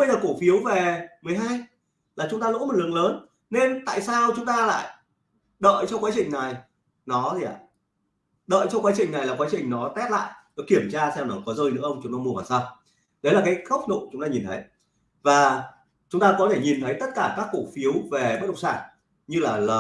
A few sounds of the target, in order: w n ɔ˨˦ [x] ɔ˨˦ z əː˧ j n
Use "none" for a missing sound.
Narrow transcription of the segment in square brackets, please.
k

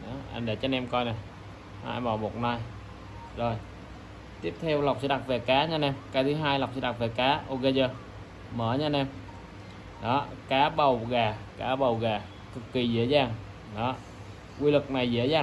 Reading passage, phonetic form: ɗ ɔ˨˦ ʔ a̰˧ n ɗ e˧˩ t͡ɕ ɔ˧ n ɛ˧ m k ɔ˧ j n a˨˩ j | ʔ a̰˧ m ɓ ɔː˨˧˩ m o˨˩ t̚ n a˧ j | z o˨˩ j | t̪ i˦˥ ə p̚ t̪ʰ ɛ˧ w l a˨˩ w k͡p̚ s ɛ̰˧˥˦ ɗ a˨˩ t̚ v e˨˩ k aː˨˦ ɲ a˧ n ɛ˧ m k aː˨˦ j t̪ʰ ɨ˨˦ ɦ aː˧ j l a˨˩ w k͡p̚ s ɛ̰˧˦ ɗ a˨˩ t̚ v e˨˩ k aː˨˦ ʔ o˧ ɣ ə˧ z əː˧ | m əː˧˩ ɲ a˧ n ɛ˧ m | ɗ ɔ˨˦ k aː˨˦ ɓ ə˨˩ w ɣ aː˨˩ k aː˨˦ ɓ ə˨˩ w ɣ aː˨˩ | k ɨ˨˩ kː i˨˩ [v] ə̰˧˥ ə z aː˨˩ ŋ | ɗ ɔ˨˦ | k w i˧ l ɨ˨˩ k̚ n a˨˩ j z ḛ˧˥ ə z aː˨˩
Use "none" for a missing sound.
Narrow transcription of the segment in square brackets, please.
z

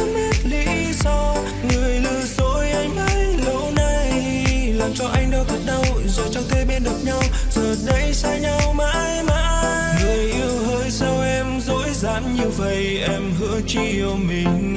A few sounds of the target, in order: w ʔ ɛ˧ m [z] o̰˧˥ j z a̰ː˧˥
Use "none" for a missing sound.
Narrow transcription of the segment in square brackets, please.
z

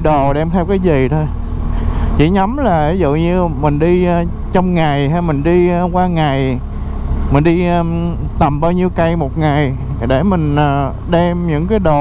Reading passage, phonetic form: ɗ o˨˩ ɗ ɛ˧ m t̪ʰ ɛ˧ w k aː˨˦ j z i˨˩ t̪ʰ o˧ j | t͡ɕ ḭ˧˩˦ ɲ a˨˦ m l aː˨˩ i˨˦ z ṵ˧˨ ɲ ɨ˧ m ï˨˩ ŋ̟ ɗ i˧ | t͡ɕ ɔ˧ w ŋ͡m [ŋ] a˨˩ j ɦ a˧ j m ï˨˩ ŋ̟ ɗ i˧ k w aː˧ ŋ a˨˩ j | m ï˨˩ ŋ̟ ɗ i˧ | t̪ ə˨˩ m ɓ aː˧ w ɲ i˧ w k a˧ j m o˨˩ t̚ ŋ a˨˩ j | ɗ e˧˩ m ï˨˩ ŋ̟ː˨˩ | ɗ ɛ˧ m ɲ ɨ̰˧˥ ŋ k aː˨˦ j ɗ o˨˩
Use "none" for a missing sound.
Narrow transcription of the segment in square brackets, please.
ŋ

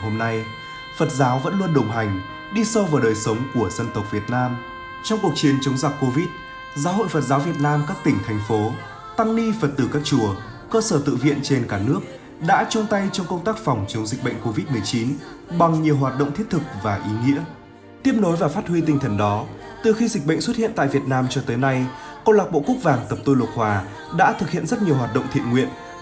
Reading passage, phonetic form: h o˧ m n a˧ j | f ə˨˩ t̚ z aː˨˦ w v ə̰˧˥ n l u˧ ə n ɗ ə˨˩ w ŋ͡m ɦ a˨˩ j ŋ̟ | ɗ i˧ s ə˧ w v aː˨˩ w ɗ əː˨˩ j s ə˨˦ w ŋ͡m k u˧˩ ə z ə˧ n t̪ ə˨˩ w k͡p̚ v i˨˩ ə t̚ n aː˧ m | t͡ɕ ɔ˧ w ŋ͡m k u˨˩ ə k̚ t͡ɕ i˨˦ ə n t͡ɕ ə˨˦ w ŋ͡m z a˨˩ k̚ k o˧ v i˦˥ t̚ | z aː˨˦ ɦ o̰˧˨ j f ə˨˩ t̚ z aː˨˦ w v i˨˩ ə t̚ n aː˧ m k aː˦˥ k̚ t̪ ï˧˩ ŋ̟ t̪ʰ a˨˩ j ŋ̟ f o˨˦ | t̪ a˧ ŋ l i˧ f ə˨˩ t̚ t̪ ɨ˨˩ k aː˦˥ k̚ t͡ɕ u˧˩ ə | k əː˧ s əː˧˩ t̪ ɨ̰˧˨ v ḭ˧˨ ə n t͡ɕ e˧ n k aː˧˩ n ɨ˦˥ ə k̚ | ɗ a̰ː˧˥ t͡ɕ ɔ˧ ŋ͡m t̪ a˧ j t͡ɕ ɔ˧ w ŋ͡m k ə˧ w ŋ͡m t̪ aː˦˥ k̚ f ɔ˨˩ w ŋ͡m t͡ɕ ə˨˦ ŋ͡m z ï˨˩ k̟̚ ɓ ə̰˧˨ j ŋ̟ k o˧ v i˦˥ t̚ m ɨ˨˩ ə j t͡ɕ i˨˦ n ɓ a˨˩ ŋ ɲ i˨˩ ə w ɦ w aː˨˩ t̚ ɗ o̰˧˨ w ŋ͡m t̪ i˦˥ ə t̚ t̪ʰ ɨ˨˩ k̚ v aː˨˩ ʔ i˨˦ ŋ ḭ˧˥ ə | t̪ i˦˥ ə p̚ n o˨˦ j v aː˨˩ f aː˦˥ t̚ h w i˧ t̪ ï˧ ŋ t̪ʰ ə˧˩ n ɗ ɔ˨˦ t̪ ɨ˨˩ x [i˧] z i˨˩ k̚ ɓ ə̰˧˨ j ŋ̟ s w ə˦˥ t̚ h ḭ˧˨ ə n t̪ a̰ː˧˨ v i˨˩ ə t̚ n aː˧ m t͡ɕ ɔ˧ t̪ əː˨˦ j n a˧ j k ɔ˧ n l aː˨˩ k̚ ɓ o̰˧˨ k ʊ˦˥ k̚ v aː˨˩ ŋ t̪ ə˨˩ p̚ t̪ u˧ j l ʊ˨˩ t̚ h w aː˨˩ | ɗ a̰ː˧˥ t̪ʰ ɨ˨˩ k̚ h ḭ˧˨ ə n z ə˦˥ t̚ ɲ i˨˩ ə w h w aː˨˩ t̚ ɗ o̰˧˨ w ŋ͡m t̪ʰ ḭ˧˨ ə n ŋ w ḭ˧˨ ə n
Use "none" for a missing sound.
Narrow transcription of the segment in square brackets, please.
i˧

